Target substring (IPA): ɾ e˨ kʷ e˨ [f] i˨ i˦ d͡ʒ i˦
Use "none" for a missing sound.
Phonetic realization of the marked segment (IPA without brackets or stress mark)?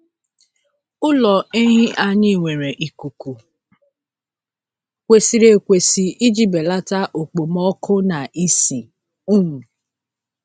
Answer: s